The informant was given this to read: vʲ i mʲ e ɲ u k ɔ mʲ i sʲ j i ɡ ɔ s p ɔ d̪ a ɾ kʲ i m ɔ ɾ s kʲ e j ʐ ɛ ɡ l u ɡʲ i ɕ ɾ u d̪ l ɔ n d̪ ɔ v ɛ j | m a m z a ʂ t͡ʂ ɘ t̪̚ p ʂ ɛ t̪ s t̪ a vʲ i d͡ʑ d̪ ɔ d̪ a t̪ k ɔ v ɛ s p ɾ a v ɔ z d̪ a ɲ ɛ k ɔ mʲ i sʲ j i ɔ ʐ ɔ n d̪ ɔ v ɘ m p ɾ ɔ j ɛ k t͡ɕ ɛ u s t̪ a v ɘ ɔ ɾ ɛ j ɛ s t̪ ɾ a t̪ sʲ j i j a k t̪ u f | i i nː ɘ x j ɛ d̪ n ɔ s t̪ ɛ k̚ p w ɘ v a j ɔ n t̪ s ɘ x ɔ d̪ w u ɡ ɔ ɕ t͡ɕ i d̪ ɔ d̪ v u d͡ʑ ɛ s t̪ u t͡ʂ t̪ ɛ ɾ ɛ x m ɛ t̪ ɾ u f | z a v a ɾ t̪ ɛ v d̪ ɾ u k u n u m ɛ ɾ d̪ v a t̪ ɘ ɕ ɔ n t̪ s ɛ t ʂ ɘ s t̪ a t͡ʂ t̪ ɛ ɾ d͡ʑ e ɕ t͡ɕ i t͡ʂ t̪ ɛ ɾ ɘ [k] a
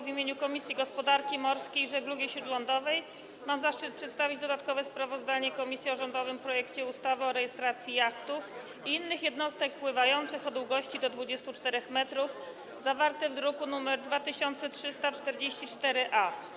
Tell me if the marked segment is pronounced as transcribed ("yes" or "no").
no